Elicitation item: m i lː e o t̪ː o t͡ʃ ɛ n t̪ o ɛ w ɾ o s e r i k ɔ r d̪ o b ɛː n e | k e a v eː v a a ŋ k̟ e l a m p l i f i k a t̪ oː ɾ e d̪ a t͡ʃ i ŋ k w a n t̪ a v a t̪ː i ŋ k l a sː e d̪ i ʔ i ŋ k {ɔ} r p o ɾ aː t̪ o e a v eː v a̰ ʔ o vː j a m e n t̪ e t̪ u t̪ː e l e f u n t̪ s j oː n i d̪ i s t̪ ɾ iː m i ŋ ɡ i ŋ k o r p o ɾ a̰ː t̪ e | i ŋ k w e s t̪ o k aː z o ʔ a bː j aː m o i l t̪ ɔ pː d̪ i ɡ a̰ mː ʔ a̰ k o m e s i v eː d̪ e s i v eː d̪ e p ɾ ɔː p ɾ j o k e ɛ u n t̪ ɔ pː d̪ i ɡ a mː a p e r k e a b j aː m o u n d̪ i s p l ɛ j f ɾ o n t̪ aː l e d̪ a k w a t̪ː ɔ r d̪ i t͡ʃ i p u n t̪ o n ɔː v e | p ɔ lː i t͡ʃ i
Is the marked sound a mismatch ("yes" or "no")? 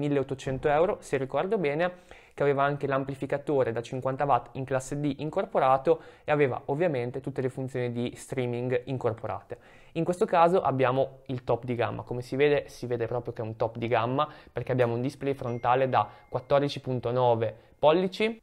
yes